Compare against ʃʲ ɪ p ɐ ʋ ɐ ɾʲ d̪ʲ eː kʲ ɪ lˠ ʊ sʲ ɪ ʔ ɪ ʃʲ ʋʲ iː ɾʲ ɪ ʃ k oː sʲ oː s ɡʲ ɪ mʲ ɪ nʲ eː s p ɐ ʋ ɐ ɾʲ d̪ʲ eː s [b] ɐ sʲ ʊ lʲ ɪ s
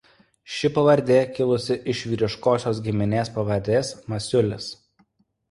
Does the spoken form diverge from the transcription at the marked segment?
yes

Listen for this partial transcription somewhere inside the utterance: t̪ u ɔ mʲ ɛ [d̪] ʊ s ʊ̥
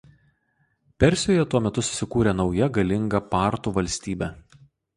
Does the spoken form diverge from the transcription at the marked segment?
yes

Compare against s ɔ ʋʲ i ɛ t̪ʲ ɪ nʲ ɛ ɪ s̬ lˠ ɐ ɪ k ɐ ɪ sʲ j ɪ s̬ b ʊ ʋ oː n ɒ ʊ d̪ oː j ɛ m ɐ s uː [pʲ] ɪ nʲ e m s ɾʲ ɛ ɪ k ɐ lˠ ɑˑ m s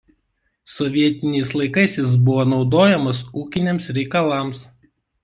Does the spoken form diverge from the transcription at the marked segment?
yes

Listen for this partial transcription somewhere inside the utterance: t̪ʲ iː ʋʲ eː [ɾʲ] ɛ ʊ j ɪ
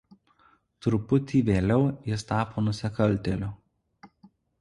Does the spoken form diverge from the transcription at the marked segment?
yes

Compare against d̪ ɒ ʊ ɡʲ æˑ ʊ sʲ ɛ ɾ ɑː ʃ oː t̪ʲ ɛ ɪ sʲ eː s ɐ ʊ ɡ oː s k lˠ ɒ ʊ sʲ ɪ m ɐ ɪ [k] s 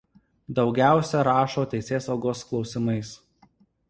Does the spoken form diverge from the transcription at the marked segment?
yes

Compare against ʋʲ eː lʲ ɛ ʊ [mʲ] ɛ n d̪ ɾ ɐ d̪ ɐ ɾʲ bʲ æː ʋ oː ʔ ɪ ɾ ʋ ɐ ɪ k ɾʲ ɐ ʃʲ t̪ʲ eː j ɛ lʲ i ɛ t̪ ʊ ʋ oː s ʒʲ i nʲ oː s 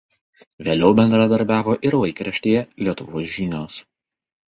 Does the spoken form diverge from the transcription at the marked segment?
yes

